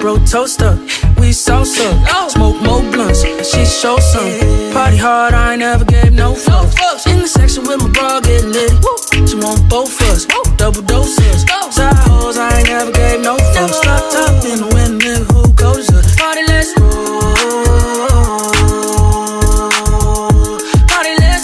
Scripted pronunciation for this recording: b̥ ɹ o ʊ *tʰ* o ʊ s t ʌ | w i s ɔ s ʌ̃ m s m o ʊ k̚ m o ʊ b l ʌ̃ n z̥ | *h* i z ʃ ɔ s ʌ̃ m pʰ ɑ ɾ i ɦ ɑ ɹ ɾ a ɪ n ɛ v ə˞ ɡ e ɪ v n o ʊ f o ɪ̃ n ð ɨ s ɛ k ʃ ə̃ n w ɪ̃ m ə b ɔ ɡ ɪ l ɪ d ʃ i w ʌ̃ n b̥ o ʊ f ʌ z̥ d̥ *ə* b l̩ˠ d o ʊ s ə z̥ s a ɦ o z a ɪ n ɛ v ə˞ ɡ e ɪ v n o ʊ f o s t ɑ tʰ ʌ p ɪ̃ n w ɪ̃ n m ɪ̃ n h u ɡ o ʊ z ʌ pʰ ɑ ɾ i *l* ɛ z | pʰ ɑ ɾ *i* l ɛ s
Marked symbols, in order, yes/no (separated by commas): yes, no, no, yes, yes